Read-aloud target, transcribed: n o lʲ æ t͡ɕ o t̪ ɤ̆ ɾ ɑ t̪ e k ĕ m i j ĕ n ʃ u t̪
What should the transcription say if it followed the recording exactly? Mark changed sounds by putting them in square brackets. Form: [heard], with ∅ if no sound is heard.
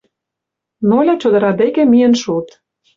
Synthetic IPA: n o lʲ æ t͡ɕ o [d̪] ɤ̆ ɾ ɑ [d̪] e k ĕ m i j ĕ n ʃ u t̪